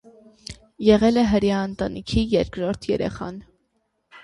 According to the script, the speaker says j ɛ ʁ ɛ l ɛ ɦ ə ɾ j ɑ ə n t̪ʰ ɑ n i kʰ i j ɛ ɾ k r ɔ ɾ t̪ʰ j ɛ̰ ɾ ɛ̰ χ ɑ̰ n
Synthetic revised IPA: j ɛ ʁ ɛ l ɛ ɦ ə ɾ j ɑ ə n t̪ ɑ n i kʰ i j ɛ ɾ k ɾ ɔ ɾ t̪ʰ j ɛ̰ ɾ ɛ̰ χ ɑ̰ n